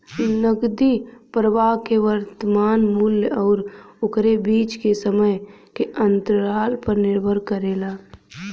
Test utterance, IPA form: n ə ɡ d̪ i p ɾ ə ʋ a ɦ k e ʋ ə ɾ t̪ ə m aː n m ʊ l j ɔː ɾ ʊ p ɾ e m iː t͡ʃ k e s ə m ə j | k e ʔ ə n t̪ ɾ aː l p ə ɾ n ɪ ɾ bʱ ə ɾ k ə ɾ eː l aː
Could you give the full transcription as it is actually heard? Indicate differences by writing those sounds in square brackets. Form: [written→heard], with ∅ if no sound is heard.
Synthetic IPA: n ə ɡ d̪ i p ɾ ə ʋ a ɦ k e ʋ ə ɾ t̪ ə m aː n m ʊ l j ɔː ɾ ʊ [p→k] ɾ e [m→b] iː t͡ʃ k e s ə m ə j | k e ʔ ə n t̪ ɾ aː l p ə ɾ n ɪ ɾ bʱ ə ɾ k ə ɾ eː l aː